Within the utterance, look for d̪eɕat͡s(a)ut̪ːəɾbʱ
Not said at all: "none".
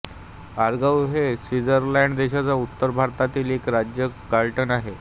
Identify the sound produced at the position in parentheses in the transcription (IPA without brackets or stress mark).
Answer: a